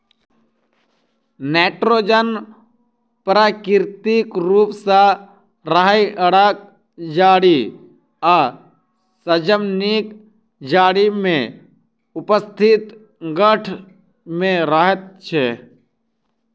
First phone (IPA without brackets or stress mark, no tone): n